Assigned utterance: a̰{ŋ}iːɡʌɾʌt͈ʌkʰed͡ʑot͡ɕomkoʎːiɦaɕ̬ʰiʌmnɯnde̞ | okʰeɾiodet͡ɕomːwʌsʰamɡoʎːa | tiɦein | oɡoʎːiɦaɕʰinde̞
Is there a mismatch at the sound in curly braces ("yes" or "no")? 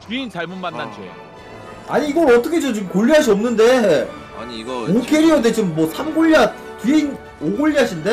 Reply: yes